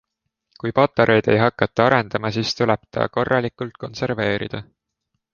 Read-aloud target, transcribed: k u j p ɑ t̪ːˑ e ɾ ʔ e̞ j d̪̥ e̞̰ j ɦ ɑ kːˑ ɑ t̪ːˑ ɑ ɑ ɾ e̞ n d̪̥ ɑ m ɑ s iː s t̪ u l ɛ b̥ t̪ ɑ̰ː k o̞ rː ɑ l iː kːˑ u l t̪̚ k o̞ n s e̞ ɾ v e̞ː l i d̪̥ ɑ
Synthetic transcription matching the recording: k u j p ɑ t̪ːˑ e ɾ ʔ e̞ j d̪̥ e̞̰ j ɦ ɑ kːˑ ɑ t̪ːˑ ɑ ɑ ɾ e̞ n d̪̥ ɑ m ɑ s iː s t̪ u l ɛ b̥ t̪ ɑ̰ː k o̞ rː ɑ l i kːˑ u l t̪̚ k o̞ n s e̞ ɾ v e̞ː ɾ i d̪̥ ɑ